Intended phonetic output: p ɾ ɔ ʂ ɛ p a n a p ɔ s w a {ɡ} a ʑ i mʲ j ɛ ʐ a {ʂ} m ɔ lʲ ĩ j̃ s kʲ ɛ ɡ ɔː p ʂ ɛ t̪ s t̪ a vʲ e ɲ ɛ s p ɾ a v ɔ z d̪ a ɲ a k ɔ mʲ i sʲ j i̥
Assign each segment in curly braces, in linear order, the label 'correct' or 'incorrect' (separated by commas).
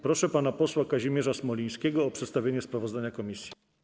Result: incorrect, incorrect